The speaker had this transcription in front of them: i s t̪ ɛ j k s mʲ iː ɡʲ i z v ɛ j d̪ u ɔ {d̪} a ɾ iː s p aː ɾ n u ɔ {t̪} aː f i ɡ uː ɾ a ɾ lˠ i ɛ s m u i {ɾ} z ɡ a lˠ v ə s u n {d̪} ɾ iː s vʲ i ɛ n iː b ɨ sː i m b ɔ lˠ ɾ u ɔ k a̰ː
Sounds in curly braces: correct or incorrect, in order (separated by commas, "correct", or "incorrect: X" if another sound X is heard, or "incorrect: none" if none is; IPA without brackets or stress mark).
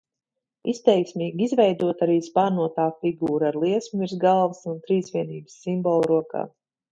incorrect: t̪, correct, correct, incorrect: t̪